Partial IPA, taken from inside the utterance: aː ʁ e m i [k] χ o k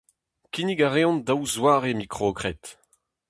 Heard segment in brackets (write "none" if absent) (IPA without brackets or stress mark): k